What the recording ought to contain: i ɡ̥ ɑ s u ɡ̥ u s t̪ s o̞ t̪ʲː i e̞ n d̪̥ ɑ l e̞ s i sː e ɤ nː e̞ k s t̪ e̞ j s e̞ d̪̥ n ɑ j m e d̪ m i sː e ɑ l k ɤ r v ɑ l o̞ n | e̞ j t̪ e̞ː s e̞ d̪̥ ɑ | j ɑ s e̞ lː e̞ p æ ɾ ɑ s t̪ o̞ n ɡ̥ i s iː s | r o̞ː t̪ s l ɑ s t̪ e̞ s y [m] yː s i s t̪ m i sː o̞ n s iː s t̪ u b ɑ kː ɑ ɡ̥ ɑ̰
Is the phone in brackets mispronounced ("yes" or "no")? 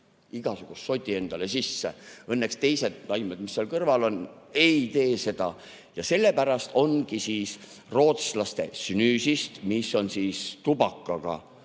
yes